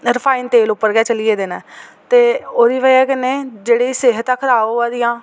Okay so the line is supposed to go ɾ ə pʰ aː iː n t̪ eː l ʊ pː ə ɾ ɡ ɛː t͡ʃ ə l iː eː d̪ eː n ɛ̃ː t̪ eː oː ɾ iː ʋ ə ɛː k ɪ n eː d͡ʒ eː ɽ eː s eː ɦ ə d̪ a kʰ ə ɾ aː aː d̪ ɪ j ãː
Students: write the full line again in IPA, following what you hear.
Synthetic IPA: ɾ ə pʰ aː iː n t̪ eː l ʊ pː ə ɾ ɡ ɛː t͡ʃ ə l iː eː d̪ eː n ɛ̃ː t̪ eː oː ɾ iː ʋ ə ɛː k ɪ n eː d͡ʒ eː ɽ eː s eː ɦ ə t̪ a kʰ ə ɾ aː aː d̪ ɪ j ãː